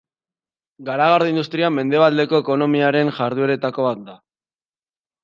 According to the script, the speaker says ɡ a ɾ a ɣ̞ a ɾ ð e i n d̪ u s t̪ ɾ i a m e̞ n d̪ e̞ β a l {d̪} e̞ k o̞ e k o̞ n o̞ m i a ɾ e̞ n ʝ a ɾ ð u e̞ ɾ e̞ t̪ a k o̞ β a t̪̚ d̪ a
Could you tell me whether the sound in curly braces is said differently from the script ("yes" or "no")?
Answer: no